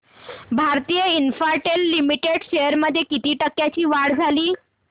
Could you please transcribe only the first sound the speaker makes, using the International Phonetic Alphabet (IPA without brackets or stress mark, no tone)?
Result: bʱ